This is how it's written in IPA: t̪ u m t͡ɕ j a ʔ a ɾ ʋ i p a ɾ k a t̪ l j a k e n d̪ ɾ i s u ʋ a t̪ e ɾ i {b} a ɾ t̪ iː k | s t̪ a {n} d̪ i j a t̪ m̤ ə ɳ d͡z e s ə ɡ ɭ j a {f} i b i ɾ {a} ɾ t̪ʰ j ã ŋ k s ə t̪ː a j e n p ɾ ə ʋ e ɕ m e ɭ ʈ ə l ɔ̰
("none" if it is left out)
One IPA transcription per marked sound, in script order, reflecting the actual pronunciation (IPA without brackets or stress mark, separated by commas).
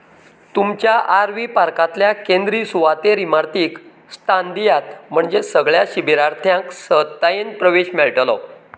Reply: m, n, ɕ, a